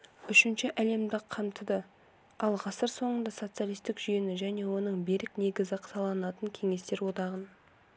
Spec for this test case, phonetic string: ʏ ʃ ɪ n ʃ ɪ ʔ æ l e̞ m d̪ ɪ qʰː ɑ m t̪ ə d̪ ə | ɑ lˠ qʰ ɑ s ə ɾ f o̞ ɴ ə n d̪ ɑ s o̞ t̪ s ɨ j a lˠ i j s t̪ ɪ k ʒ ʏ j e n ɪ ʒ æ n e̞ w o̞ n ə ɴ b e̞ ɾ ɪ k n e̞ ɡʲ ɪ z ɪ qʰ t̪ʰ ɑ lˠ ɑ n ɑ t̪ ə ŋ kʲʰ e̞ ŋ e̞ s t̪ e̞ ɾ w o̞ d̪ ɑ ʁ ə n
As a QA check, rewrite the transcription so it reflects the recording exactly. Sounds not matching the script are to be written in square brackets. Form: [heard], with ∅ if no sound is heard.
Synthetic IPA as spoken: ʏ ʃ ɪ n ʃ ɪ ʔ æ l e̞ m d̪ ɪ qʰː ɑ m t̪ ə d̪ ə | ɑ lˠ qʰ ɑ s ə ɾ [s] o̞ ɴ ə n d̪ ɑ s o̞ t̪ s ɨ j a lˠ i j s t̪ ɪ k ʒ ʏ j e n ɪ ʒ æ n e̞ w o̞ n ə ɴ b e̞ ɾ ɪ k n e̞ ɡʲ ɪ z ɪ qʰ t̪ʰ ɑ lˠ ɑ n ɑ t̪ ə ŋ kʲʰ e̞ ŋ e̞ s t̪ e̞ ɾ w o̞ d̪ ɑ ʁ ə n

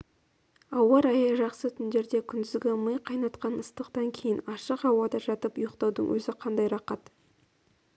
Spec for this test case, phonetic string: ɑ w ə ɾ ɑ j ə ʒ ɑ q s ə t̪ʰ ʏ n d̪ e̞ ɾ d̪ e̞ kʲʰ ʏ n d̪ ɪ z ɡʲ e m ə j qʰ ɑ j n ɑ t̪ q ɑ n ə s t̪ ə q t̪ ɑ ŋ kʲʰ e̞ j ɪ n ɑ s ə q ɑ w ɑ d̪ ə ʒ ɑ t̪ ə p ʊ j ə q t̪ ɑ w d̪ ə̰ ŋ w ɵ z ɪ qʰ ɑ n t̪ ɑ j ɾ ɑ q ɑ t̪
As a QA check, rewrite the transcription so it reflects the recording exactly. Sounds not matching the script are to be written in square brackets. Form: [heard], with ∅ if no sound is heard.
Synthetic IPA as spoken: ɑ w [ɑ] ɾ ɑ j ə ʒ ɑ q s ə t̪ʰ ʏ n d̪ e̞ ɾ d̪ e̞ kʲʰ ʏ n d̪ ɪ z ɡʲ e m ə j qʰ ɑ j n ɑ t̪ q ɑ n ə s t̪ ə q t̪ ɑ ŋ kʲʰ e̞ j ɪ n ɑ [ʃ] ə q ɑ w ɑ d̪ [ɑ] ʒ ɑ t̪ ə p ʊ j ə q t̪ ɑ w d̪ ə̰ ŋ w ɵ z ɪ qʰ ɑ n [d̪] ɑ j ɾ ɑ q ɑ t̪

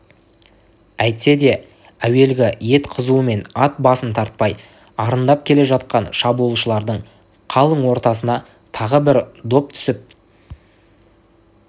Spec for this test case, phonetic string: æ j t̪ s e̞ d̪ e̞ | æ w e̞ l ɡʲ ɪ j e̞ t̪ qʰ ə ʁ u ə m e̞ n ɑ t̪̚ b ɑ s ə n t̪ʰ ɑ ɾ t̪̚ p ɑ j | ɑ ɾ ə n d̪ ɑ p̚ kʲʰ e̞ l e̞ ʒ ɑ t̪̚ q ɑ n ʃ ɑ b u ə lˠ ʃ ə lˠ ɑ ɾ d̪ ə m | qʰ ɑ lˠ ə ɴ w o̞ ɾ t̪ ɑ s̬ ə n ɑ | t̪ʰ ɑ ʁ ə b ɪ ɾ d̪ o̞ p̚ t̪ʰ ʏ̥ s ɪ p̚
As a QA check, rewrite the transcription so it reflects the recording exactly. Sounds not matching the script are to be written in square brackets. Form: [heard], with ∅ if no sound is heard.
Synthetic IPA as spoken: æ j t̪ s e̞ d̪ e̞ | æ w e̞ l ɡʲ ɪ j e̞ t̪ qʰ ə [z] u ə m e̞ n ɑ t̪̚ b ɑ s ə n t̪ʰ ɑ ɾ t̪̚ p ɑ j | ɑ ɾ ə n d̪ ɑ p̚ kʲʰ e̞ l e̞ ʒ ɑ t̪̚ q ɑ n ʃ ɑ b u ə lˠ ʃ ə lˠ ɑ ɾ d̪ ə [ɴ] | qʰ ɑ lˠ ə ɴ w o̞ ɾ t̪ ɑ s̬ ə n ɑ | t̪ʰ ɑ ʁ ə b ɪ ɾ d̪ o̞ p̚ t̪ʰ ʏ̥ s ɪ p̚

